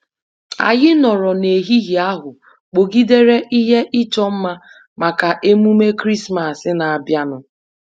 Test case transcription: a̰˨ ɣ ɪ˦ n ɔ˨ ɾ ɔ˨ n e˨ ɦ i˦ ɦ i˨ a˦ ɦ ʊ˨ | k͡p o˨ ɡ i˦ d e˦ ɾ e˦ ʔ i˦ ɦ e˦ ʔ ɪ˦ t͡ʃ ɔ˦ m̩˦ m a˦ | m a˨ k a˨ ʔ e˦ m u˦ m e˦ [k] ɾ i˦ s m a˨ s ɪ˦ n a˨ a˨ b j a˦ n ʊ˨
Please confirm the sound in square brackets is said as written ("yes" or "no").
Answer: yes